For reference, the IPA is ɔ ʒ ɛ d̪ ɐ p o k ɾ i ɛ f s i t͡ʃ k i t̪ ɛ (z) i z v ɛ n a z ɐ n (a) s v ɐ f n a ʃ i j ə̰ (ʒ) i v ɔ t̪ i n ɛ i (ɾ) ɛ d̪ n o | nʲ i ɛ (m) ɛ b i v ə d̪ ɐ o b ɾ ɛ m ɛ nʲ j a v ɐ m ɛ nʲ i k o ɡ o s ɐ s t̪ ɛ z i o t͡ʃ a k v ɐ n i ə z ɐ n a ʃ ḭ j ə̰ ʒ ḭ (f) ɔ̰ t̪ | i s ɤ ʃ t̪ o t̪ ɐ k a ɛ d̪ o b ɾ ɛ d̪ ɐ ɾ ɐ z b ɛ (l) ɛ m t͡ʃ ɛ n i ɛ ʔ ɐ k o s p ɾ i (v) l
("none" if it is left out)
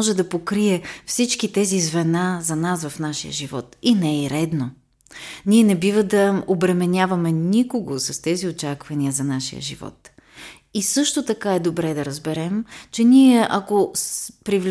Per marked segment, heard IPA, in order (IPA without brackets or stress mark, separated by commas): z, a, ʒ, ɾ, n, v, ɾ, v